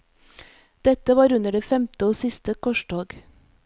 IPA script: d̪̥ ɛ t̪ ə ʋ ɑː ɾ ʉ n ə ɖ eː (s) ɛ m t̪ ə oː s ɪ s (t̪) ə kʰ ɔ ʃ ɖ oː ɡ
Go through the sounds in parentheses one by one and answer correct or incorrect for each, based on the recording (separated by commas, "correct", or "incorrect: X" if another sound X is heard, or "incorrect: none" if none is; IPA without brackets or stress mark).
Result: incorrect: f, correct